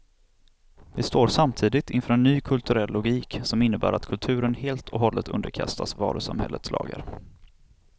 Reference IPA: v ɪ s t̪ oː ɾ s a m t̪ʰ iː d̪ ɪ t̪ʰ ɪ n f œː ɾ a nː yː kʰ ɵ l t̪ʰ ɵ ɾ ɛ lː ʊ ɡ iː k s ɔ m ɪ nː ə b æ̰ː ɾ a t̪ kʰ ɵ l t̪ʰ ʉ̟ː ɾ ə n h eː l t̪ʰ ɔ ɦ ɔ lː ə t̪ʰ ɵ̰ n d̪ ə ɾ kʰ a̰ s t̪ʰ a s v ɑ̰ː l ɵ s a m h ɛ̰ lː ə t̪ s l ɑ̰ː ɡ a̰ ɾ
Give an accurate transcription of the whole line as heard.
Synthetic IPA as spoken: v ɪ s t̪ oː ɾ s a m t̪ʰ iː d̪ ɪ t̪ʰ ɪ n f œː ɾ ɛ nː yː kʰ ɵ l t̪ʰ ɵ ɾ ɛ lː ʊ ɡ iː k s ɔ m ɪ nː ə b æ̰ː ɾ a t̪ kʰ ɵ l t̪ʰ ʉ̟ː ɾ ə n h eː l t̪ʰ ɔ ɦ ɔ lː ə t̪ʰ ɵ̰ n d̪ ə ɾ kʰ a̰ s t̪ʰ a s v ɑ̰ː ɾ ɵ s a m h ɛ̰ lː ə t̪ s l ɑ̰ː ɡ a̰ ɾ